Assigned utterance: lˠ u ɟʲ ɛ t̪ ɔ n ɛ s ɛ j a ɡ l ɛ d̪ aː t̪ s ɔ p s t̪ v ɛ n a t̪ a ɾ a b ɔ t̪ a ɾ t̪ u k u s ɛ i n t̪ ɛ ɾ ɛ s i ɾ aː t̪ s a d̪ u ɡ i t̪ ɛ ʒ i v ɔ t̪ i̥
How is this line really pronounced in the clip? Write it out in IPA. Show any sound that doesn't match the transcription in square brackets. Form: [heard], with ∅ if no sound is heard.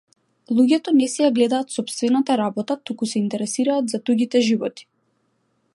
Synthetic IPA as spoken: lˠ u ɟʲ ɛ t̪ ɔ n ɛ s ɛ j a ɡ l ɛ d̪ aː t̪ s ɔ p s t̪ v ɛ n a t̪ a ɾ a b ɔ t̪ a [∅] t̪ u k u s ɛ i n t̪ ɛ ɾ ɛ s i ɾ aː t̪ [z] a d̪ u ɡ i t̪ ɛ ʒ i v ɔ t̪ i̥